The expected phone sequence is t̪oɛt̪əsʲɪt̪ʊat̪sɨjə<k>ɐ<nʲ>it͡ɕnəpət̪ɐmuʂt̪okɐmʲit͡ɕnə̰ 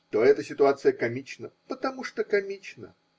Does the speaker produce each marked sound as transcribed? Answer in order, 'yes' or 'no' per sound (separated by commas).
yes, no